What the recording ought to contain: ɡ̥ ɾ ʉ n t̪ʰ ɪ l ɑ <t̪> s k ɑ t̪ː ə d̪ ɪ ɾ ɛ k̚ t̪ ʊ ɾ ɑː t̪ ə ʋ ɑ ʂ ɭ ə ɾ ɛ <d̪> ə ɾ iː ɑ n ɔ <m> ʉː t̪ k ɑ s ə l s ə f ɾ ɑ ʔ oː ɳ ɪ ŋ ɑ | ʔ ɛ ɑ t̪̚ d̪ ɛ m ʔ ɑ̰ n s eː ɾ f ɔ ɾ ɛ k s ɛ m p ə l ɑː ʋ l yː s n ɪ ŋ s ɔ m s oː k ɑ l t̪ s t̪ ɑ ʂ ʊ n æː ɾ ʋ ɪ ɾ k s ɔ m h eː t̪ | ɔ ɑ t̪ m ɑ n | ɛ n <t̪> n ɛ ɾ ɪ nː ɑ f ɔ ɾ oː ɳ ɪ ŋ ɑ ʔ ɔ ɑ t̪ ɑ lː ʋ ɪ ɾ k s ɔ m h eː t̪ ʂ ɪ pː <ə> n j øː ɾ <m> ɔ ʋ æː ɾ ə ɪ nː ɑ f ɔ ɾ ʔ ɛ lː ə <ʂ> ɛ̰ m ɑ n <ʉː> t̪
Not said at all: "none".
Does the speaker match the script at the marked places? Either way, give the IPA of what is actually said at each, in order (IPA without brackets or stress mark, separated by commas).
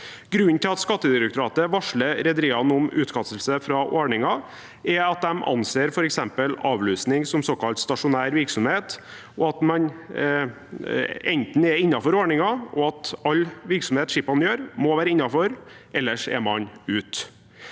t̪, d̪, m, t̪, ɑ, m, ʂ, ʉː